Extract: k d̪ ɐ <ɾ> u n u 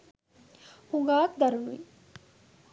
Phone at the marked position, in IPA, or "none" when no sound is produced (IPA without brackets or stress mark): ɾ